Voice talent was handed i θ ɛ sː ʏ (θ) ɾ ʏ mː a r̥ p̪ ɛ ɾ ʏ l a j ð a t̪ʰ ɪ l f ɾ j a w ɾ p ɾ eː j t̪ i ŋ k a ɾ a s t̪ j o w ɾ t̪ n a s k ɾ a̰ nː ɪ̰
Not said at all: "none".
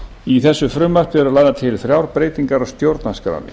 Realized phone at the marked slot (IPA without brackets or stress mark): f